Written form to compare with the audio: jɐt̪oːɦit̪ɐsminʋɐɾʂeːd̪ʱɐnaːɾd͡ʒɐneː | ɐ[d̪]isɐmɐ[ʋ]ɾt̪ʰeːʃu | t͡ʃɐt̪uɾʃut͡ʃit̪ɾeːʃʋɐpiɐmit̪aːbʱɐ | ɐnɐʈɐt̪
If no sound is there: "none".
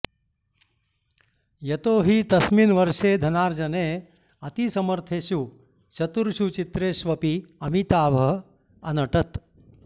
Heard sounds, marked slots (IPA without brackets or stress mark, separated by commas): t̪, none